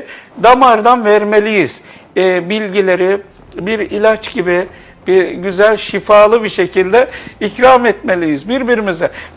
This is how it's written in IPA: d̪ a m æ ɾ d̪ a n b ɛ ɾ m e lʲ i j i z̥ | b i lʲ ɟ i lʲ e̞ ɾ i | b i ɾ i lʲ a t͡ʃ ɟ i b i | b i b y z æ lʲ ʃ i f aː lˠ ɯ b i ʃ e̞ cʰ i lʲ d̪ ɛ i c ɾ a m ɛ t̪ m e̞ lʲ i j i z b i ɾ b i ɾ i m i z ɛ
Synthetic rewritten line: d̪ a m a ɾ d̪ a n v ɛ ɾ m e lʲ i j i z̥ | b i lʲ ɟ i lʲ e̞ ɾ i | b i ɾ i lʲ a t͡ʃ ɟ i b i | b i ɟ y z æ lʲ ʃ i f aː lˠ ɯ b i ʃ e̞ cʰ i lʲ d̪ ɛ i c ɾ a m ɛ t̪ m e̞ lʲ i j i z b i ɾ b i ɾ i m i z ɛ